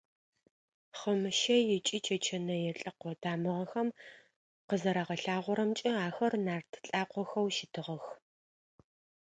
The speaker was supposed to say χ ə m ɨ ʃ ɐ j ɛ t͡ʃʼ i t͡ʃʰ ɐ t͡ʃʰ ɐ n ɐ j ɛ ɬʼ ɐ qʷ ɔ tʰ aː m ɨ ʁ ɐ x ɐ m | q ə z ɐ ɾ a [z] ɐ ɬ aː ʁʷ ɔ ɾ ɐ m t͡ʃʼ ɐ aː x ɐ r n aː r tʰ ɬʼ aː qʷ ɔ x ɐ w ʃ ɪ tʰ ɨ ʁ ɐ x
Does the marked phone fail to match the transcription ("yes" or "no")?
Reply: yes